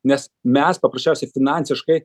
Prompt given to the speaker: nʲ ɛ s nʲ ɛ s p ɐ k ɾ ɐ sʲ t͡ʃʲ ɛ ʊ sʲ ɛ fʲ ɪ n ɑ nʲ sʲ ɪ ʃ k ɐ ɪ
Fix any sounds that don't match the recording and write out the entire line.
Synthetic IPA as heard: nʲ ɛ s mʲ ɛ s p ɐ p ɾ ɐ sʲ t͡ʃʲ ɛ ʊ sʲ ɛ fʲ ɪ n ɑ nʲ sʲ ɪ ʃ k ɐ ɪ